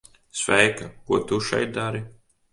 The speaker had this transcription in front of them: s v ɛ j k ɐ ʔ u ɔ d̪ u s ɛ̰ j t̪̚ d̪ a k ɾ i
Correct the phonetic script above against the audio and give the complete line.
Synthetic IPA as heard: s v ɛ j k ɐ k u ɔ t̪ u ʃ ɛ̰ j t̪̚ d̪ a ɾ i